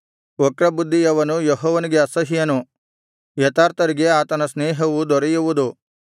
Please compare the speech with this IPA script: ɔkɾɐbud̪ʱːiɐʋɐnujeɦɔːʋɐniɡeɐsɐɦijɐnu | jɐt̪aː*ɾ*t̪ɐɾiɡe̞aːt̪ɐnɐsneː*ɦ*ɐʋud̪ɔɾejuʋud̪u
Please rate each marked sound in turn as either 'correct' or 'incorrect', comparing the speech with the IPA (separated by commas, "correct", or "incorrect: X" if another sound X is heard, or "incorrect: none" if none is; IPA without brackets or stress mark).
correct, correct